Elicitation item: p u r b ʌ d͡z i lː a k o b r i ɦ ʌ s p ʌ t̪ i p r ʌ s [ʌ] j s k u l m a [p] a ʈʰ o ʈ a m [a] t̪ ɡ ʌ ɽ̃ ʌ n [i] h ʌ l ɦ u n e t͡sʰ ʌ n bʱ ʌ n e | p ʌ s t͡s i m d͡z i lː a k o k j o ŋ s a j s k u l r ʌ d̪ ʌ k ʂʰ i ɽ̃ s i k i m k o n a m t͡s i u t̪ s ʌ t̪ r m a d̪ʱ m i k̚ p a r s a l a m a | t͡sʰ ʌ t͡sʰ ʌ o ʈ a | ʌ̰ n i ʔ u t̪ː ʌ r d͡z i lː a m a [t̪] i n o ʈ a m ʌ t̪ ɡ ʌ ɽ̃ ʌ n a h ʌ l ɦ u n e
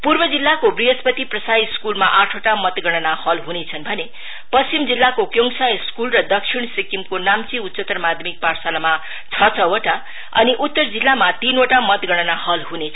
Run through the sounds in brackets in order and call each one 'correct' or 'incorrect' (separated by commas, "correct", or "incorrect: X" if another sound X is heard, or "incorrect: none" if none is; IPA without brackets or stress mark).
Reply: incorrect: a, incorrect: ʔ, incorrect: ʌ, incorrect: a, correct